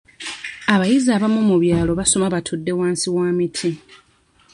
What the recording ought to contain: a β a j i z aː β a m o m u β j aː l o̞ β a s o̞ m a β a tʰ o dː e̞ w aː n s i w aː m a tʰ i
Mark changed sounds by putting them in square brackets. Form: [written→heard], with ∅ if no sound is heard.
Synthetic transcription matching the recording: a β a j i z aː β a m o m u β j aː l o̞ β a s o̞ m a β a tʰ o dː e̞ w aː n s i w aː m [a→i] tʰ i